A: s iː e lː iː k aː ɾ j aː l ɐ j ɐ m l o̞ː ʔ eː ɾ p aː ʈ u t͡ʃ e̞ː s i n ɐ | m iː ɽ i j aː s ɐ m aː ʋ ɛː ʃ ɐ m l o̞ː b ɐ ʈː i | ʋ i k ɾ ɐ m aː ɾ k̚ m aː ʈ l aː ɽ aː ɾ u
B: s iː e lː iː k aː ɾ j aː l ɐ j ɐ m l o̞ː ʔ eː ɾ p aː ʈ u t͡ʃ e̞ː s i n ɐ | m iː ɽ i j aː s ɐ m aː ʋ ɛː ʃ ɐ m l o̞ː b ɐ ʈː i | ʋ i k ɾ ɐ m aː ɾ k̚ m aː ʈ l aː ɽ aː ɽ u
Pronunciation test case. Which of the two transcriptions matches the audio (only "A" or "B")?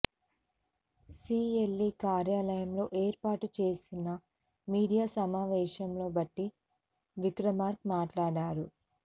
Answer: A